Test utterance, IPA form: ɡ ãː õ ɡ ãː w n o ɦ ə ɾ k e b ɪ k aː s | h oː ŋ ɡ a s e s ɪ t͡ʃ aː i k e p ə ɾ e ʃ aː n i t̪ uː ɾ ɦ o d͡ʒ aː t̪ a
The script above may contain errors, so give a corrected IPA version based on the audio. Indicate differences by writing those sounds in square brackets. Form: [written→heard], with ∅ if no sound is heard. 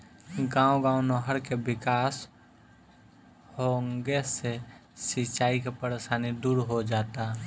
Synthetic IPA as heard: ɡ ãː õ ɡ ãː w n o ɦ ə ɾ k e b ɪ k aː s | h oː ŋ ɡ [a→e] s e s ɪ t͡ʃ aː i k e p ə ɾ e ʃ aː n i [t̪→d̪] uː ɾ ɦ o d͡ʒ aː t̪ a